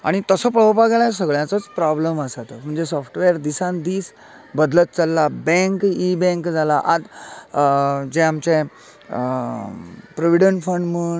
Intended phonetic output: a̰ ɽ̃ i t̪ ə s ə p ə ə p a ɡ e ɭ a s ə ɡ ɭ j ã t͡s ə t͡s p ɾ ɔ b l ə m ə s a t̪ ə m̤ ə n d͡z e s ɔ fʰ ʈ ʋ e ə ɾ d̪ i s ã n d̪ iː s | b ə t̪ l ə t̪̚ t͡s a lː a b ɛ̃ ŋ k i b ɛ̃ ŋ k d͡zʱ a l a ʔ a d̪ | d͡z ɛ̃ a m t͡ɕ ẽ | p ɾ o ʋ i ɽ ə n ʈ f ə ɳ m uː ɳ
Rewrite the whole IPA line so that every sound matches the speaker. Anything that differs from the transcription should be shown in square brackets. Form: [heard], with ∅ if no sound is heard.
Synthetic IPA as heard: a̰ ɽ̃ i t̪ ə s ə p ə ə p a ɡ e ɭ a s ə ɡ ɭ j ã t͡s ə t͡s p ɾ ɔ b l ə m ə s a t̪ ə m̤ ə [ɳ] d͡z e s ɔ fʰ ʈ ʋ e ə ɾ d̪ i s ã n d̪ iː s | b ə [d̪] l ə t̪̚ t͡s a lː a b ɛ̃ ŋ k i b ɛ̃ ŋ k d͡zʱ a l a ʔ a d̪ | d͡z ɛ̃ a m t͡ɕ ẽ | p ɾ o ʋ i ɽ ə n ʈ f ə ɳ m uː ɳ